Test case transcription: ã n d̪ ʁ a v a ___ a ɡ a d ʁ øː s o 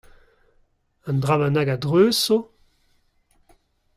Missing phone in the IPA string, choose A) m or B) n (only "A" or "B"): B